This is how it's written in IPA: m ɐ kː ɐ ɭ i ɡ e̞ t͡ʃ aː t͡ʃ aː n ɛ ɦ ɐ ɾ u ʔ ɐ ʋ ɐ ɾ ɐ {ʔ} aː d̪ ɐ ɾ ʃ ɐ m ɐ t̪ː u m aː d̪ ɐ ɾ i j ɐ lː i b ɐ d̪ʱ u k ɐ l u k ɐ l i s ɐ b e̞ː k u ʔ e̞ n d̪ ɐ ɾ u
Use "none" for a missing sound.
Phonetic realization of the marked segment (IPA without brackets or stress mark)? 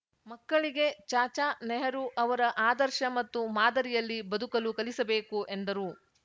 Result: ʔ